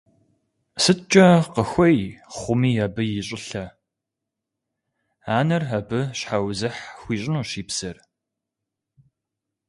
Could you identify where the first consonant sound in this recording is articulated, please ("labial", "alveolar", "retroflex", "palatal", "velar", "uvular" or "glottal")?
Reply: alveolar